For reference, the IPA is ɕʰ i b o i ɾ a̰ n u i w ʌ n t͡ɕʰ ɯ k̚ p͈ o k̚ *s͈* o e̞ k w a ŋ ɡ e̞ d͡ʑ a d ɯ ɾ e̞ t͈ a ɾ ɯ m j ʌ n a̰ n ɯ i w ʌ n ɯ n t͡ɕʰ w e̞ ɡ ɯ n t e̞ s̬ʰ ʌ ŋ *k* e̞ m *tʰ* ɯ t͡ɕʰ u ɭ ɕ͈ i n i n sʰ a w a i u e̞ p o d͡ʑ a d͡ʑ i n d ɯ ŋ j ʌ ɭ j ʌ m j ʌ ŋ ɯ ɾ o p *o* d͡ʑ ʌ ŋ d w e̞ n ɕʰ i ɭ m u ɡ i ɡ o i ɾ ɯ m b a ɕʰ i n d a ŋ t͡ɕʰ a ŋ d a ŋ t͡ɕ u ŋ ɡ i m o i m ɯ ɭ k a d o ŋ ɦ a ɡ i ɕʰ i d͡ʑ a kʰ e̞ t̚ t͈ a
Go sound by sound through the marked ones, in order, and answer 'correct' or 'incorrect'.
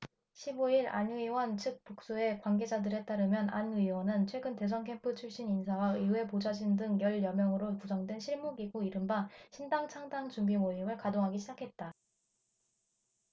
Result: correct, incorrect, incorrect, incorrect

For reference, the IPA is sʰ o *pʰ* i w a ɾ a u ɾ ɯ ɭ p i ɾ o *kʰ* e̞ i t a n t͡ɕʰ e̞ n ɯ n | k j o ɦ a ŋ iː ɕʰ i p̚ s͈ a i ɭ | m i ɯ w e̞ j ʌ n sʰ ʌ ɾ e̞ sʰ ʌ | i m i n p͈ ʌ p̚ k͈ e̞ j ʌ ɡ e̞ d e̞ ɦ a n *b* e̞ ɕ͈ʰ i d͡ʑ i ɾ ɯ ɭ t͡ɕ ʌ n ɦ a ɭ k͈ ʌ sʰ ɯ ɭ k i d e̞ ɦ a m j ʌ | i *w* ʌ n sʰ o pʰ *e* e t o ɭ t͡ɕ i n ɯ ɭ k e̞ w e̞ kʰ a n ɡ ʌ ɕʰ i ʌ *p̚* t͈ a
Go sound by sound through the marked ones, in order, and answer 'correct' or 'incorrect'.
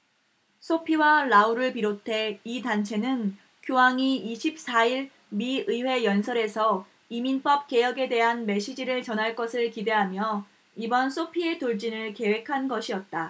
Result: correct, incorrect, incorrect, incorrect, incorrect, incorrect

